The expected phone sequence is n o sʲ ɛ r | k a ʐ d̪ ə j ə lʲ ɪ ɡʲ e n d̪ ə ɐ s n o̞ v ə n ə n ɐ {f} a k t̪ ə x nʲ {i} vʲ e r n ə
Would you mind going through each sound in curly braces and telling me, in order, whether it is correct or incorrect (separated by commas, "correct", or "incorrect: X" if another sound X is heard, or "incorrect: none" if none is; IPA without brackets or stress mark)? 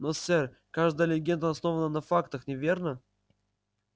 correct, incorrect: ɪ